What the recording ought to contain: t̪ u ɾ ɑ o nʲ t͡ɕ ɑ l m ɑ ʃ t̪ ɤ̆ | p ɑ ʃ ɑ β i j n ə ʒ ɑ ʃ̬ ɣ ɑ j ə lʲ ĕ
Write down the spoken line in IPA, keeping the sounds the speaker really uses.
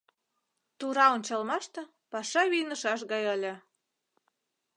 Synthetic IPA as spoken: t̪ u ɾ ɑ o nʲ t͡ɕ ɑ l m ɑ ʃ t̪ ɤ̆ | p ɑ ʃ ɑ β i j n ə ʃ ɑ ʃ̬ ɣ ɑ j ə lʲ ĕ